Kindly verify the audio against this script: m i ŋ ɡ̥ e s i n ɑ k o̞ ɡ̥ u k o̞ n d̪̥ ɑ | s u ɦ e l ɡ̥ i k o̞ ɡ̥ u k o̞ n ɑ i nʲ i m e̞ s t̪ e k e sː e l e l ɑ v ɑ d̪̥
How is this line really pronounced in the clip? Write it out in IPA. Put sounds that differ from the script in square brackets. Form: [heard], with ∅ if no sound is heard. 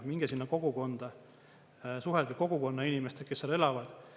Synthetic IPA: m i ŋ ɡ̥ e s i [nː] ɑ k o̞ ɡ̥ u k o̞ n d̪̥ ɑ | s u ɦ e l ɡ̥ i k o̞ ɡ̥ u k o̞ [nː] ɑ i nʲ i m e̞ s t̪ e k e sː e l e l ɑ v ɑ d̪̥